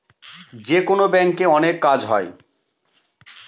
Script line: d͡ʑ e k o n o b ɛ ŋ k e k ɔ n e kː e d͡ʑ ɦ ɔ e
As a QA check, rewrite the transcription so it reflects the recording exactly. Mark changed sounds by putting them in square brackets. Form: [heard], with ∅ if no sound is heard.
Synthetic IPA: d͡ʑ e k o n o b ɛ ŋ k e [∅] ɔ n e kː [a] d͡ʑ ɦ ɔ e